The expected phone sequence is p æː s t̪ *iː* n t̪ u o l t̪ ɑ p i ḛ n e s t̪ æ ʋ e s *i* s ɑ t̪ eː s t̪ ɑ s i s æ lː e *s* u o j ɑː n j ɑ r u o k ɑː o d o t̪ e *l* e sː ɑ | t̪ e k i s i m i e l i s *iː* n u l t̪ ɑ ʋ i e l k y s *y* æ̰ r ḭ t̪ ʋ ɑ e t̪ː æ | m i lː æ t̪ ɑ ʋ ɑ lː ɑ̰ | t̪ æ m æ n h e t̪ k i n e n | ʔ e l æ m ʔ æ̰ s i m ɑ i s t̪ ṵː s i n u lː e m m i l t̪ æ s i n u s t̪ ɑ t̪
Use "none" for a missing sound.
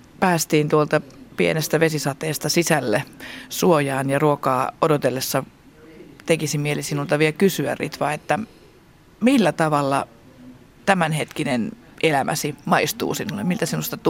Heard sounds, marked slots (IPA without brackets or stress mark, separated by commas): iː, i, s, lː, i, y